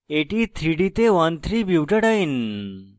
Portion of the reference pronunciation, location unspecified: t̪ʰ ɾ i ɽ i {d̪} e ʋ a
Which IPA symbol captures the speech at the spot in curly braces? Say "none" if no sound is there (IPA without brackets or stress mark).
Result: t̪